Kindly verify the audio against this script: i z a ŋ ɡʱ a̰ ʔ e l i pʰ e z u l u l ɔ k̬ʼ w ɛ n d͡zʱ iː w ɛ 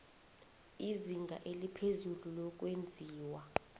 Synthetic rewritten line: i z i ŋ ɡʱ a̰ ʔ e l i pʰ e z u l u l ɔ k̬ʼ w e n d͡zʱ iː w a